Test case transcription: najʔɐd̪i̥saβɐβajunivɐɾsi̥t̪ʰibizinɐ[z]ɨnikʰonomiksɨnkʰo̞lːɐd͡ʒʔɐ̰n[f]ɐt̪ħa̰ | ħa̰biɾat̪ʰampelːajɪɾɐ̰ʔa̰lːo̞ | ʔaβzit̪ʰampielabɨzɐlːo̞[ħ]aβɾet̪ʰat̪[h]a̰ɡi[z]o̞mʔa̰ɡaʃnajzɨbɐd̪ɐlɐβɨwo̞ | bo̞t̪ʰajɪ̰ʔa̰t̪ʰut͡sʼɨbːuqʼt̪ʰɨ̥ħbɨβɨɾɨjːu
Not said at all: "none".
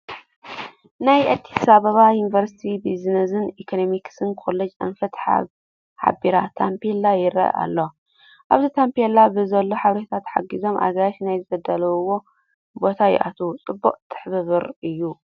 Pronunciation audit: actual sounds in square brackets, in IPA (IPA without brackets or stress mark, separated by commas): z, f, ħ, ħ, z